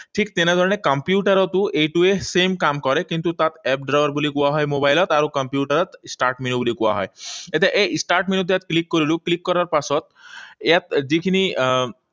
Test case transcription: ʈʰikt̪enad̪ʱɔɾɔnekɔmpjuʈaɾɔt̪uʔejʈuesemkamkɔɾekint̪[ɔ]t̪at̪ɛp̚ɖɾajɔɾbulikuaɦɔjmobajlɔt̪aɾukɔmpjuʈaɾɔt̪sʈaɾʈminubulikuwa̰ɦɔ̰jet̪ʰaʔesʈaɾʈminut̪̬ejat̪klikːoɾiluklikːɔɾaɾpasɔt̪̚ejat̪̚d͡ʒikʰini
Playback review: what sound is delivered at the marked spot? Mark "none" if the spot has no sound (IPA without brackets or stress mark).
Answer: u